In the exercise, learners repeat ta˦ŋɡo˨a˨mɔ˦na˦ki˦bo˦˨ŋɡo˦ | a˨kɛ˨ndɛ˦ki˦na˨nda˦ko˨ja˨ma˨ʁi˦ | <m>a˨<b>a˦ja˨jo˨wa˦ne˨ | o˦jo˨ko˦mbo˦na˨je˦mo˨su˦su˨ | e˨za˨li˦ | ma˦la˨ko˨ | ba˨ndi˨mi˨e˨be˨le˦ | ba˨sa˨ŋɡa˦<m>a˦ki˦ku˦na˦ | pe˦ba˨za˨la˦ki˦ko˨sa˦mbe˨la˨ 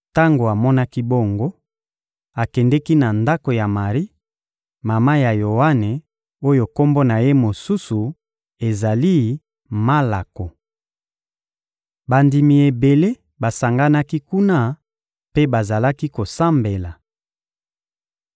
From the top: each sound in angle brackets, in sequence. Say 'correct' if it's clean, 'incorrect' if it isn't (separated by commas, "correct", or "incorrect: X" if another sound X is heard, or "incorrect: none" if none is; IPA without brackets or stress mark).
correct, incorrect: m, incorrect: n